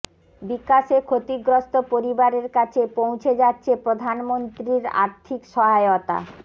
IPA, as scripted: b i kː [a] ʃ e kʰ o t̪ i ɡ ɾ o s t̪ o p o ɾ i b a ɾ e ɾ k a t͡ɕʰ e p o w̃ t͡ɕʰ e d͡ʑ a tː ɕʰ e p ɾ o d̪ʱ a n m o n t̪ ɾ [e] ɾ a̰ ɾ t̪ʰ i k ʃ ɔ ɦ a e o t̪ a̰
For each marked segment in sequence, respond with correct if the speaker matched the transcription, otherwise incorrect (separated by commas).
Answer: correct, incorrect